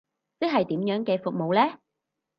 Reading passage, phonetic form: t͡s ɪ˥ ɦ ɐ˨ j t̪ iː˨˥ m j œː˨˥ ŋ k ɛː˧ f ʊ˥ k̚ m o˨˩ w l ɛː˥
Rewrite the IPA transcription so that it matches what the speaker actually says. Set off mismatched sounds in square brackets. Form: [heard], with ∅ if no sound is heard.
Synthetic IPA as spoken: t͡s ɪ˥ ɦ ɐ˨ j t̪ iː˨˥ m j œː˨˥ ŋ k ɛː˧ f [ʊ˨] k̚ m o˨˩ w l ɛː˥